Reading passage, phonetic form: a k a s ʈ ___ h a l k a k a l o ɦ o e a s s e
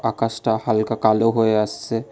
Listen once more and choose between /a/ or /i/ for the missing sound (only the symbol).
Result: a